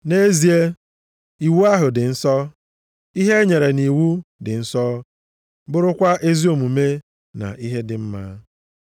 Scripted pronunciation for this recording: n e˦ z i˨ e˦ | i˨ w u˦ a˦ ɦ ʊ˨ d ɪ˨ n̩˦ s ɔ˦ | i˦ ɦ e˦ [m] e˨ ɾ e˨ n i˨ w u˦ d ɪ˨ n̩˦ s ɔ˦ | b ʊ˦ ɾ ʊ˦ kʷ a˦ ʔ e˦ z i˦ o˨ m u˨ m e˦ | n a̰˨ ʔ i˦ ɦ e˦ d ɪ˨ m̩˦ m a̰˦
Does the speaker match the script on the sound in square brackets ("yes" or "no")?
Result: no